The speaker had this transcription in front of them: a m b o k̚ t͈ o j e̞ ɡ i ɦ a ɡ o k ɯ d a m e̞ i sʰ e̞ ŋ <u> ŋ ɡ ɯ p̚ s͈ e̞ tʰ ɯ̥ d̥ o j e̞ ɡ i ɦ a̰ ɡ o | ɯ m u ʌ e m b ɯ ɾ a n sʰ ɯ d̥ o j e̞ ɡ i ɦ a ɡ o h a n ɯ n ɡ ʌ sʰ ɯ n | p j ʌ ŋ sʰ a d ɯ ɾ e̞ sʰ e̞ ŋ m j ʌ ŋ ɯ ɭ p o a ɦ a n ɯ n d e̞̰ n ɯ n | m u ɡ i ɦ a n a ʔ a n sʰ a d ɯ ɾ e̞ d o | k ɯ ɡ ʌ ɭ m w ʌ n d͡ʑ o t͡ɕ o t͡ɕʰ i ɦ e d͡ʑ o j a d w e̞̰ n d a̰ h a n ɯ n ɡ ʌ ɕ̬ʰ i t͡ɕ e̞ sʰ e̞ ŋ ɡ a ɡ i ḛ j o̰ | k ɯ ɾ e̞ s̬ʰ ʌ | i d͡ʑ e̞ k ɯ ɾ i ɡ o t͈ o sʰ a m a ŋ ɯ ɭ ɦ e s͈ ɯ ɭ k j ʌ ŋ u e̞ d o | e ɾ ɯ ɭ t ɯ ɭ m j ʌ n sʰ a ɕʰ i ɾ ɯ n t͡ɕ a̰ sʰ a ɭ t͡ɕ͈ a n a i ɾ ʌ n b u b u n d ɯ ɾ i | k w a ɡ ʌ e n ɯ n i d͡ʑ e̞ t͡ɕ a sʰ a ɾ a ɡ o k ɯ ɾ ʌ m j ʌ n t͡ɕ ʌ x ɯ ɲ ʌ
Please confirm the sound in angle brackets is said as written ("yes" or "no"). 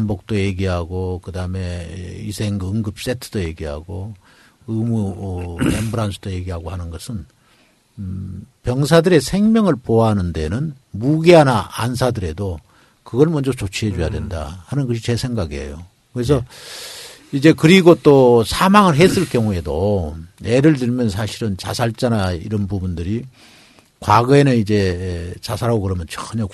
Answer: no